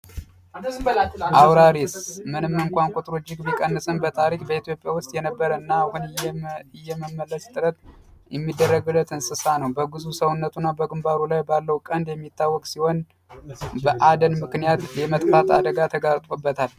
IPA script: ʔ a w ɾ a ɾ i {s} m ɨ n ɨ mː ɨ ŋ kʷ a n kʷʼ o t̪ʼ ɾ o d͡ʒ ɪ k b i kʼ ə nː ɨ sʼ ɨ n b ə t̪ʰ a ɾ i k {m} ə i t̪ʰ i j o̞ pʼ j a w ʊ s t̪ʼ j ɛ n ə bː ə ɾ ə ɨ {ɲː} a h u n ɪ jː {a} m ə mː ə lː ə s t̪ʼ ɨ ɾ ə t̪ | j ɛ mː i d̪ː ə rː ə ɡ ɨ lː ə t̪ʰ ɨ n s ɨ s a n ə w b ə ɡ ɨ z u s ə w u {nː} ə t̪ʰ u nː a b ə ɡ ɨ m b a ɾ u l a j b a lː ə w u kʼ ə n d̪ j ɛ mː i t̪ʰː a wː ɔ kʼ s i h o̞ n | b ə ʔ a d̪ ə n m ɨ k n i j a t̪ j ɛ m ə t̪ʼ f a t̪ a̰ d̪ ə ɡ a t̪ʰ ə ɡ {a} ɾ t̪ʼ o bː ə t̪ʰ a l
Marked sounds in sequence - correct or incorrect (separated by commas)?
correct, incorrect, incorrect, incorrect, correct, correct